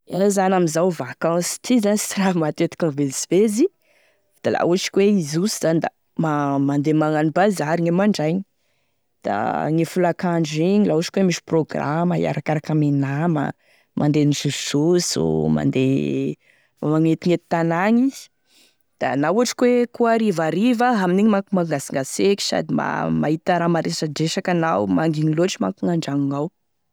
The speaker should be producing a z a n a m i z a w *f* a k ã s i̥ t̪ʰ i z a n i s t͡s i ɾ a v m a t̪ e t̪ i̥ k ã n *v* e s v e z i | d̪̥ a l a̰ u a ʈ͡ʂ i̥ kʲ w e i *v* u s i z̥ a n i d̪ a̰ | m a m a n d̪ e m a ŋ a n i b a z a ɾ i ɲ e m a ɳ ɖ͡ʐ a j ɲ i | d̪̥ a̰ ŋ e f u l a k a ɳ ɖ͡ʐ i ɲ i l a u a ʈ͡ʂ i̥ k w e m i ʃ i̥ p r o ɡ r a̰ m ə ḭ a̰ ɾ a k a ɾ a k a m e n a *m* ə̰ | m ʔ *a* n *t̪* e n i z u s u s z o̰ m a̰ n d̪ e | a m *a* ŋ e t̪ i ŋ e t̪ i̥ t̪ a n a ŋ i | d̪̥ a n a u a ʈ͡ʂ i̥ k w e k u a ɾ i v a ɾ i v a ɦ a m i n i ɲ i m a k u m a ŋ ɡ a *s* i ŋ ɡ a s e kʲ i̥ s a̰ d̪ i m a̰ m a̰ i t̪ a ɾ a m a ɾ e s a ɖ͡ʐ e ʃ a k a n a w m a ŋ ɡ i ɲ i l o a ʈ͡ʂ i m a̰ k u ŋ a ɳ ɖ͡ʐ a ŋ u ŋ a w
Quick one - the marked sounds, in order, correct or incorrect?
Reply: incorrect, correct, incorrect, correct, correct, incorrect, correct, correct

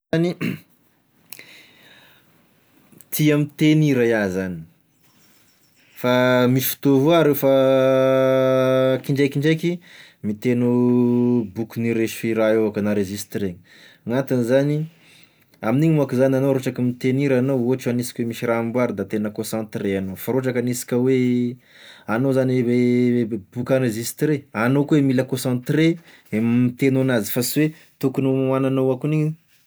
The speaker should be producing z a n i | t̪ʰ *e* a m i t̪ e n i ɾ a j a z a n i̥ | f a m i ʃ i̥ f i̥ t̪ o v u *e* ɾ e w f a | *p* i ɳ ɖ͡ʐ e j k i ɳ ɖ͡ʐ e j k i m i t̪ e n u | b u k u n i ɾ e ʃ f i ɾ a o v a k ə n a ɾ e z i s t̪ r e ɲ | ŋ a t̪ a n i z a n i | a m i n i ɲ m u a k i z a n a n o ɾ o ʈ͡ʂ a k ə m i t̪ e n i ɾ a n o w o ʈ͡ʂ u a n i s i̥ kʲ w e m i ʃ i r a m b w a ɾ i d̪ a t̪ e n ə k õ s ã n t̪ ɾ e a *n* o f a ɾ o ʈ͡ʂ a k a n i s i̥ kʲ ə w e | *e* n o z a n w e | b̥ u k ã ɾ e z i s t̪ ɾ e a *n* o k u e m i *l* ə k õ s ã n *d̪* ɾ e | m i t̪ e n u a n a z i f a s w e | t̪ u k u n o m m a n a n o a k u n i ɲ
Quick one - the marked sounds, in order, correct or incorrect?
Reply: incorrect, incorrect, incorrect, correct, incorrect, correct, correct, incorrect

